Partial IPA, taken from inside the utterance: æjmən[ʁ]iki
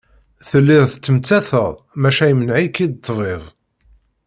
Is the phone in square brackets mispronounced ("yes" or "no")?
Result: yes